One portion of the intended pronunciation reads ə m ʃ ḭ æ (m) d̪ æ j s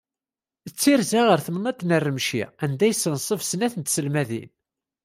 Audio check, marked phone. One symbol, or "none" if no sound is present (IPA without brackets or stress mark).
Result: n